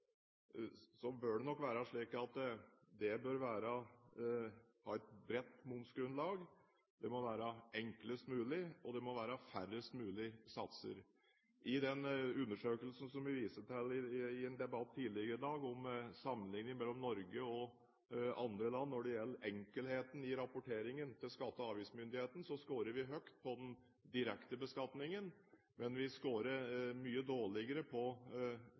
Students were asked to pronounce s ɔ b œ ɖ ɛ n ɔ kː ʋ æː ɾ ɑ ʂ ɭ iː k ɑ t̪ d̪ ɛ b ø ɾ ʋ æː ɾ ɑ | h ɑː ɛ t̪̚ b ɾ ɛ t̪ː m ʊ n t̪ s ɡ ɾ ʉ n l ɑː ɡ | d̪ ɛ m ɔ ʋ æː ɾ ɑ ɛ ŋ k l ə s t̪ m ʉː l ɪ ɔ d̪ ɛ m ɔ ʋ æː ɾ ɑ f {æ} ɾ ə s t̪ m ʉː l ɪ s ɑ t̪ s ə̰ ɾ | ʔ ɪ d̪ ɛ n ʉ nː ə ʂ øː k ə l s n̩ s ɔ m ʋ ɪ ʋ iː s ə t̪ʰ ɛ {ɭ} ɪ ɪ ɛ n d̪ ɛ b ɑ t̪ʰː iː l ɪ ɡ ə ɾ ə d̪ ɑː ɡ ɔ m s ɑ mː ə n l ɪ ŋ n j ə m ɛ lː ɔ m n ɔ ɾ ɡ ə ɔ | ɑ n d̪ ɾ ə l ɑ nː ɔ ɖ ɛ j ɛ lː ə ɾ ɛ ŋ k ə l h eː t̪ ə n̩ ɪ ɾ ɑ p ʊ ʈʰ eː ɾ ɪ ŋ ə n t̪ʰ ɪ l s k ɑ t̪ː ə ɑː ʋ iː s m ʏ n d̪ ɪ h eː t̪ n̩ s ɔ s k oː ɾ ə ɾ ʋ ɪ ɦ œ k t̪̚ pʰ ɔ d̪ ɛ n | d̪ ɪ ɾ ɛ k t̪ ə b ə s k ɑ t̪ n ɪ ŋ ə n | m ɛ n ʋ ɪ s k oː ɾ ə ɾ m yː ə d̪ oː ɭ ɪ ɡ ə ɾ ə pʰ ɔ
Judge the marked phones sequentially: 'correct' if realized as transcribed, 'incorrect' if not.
correct, incorrect: l

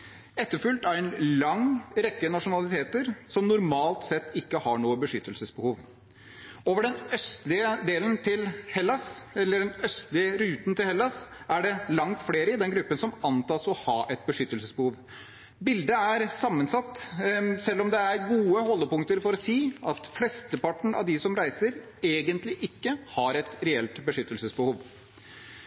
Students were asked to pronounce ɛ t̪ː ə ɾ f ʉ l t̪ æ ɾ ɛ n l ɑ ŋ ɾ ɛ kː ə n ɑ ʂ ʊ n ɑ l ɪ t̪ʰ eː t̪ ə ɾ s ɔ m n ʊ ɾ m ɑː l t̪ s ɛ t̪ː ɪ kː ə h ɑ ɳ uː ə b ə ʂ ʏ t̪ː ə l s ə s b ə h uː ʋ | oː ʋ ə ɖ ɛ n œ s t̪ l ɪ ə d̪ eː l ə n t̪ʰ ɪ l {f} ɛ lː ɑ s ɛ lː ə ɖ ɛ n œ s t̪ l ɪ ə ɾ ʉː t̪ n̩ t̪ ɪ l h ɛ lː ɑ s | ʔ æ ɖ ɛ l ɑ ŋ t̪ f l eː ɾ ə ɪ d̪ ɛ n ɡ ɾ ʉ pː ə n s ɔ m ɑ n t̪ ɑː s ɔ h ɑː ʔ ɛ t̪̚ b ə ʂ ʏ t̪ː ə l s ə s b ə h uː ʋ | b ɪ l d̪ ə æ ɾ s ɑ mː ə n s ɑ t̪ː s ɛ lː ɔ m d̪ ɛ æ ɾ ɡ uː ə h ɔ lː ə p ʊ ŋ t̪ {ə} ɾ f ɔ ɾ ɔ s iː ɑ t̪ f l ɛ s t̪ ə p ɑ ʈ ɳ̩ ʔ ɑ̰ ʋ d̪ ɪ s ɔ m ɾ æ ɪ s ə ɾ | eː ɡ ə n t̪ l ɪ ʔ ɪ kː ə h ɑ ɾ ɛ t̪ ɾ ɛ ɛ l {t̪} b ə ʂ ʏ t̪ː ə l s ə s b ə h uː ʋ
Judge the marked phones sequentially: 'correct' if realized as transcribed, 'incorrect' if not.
incorrect: h, correct, correct

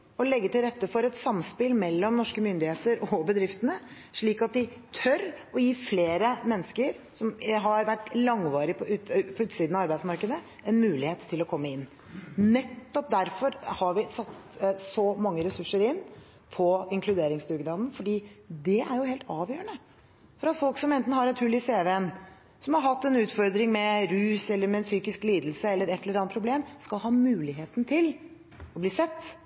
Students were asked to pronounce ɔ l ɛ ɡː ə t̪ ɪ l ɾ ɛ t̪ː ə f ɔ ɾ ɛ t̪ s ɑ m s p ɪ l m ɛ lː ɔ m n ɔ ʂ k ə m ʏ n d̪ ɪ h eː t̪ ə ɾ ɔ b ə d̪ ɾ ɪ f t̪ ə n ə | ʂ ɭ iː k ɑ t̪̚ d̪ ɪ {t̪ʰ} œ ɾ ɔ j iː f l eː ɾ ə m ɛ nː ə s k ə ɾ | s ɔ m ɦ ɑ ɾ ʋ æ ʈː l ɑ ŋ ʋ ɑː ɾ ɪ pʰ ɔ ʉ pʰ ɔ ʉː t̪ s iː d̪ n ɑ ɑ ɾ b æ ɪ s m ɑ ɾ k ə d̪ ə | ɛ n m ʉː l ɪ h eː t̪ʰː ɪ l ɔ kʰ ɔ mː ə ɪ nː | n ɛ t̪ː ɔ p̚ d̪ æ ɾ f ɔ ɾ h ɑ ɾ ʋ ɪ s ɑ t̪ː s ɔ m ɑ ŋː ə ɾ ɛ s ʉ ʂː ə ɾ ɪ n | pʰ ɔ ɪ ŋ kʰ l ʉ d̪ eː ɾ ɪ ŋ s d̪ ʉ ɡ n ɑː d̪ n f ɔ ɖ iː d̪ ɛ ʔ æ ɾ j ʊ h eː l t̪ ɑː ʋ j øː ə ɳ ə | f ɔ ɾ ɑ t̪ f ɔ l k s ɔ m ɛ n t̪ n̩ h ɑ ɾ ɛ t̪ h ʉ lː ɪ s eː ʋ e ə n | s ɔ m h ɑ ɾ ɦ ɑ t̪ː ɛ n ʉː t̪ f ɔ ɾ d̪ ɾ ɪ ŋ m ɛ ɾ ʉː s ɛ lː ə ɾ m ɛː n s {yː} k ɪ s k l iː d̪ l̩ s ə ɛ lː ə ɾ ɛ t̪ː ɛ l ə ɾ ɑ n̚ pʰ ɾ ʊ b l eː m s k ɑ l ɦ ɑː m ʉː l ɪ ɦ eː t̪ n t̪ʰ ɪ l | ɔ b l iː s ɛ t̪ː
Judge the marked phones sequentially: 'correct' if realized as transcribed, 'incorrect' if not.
correct, correct

